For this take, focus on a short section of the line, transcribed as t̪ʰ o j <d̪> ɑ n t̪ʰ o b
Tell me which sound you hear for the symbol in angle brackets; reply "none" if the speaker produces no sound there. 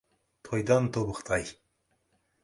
d̪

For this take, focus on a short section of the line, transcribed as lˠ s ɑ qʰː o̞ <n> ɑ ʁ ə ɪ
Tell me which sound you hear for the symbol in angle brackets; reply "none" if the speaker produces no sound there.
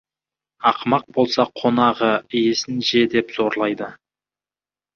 n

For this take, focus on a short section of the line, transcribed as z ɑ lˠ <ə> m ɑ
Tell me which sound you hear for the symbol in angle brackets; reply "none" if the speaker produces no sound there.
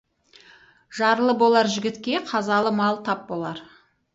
ə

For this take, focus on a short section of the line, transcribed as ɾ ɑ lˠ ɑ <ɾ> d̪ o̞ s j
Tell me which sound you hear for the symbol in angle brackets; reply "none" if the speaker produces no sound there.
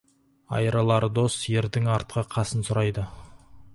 ɾ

